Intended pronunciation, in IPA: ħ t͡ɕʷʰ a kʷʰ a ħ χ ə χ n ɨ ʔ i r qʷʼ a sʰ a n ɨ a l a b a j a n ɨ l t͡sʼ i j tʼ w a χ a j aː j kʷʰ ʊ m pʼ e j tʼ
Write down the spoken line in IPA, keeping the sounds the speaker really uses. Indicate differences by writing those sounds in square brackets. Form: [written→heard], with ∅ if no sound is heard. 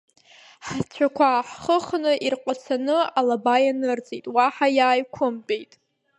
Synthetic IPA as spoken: ħ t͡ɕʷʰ a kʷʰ a ħ χ ə χ n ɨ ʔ i r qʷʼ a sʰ a n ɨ a l a b a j a n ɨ [l→r] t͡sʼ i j tʼ w a [χ→ħ] a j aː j kʷʰ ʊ m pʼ e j tʼ